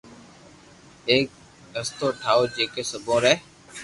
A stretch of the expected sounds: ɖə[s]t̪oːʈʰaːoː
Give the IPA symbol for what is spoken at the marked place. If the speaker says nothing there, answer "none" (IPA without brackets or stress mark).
s